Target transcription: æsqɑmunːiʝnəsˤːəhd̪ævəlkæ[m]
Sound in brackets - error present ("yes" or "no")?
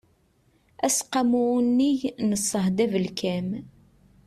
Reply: no